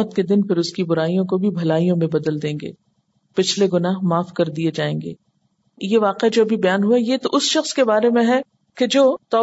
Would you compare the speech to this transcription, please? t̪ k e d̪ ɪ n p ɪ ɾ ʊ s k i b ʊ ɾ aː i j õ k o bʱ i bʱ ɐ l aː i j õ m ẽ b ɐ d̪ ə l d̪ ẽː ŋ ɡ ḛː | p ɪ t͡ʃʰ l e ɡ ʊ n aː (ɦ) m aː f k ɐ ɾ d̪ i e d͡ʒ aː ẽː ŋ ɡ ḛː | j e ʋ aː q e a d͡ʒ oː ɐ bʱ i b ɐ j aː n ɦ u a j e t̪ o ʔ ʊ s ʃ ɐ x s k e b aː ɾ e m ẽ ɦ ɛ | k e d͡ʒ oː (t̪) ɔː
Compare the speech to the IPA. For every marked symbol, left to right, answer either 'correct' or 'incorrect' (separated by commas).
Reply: correct, correct